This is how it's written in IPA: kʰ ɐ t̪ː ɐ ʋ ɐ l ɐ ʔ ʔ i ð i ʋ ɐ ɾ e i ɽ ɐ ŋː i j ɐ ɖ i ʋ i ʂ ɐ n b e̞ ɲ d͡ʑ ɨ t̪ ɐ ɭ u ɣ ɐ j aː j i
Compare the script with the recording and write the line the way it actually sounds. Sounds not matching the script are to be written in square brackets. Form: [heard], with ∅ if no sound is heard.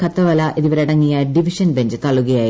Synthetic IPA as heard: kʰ ɐ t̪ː ɐ ʋ ɐ l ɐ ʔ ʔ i ð i ʋ ɐ ɾ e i ɽ ɐ ŋː i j ɐ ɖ i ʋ i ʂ ɐ n b e̞ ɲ d͡ʑ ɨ t̪ ɐ ɭ u ɣ ɐ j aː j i